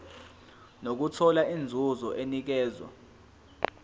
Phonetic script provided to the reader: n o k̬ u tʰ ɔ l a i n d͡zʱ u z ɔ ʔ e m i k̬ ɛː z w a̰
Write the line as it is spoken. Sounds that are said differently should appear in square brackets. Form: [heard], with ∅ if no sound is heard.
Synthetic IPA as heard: n o k̬ u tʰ ɔ l a i n d͡zʱ u z ɔ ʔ e [n] i k̬ ɛː z w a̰